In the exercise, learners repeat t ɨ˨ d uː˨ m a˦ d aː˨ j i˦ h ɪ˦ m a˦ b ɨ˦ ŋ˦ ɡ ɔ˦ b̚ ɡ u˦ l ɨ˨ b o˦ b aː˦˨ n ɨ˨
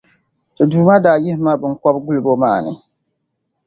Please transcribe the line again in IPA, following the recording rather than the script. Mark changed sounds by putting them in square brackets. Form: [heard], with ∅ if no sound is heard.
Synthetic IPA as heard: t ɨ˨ d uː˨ m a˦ d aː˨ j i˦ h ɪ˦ m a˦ b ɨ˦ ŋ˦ [k] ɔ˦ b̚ ɡ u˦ l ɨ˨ b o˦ [m] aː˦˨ n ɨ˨